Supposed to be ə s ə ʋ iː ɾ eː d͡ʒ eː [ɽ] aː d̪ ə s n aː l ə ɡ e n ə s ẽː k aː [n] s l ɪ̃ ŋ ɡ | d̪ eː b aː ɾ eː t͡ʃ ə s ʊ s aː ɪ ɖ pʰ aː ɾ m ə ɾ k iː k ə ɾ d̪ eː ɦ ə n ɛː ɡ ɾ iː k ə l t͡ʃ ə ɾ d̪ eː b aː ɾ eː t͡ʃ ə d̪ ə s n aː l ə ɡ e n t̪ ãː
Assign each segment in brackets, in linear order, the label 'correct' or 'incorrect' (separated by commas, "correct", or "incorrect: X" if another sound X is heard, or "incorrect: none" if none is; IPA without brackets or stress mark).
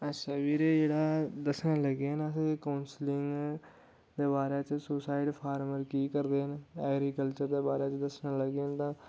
correct, correct